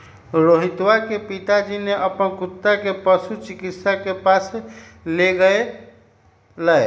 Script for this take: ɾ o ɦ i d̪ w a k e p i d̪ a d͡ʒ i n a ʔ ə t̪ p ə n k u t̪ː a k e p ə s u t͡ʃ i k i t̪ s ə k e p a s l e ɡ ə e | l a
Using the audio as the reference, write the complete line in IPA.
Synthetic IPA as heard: ɾ o ɦ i t̪ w a k e p i t̪ a d͡ʒ i n e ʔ ə p ə n k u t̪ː a k e p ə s u t͡ʃ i k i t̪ s a k e p a s l e ɡ ə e | l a